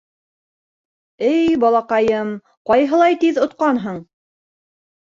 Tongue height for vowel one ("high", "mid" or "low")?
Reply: mid